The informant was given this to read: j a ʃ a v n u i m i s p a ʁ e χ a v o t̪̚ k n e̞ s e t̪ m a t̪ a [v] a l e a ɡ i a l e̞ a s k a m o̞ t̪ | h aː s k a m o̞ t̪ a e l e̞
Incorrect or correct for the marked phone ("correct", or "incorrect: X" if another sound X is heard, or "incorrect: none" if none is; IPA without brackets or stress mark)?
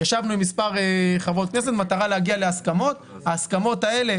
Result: incorrect: ʁ